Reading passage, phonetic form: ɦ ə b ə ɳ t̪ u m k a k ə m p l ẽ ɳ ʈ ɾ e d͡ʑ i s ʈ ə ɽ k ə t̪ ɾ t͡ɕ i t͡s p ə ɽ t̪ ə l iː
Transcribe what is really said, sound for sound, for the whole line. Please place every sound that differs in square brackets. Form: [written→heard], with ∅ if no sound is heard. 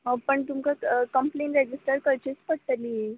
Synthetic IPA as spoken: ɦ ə [b→p] ə ɳ t̪ u m k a k ə m p l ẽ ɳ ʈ ɾ e d͡ʑ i s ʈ ə [ɽ→ɾ] k ə [t̪→∅] ɾ t͡ɕ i t͡s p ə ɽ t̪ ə l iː